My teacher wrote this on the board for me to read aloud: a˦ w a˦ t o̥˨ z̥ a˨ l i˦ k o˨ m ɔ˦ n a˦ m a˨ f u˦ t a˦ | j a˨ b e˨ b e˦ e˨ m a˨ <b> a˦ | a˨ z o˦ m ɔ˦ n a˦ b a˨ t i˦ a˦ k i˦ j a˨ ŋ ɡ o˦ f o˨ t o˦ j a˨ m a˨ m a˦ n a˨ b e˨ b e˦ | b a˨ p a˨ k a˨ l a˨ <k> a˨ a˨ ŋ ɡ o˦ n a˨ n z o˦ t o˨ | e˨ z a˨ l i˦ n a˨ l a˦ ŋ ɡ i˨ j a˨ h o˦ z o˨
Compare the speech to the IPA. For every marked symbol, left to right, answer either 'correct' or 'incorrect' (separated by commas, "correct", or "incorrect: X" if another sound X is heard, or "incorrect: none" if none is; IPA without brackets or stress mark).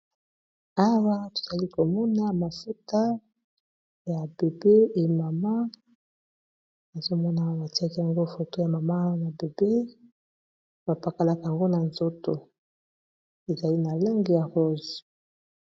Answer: incorrect: m, correct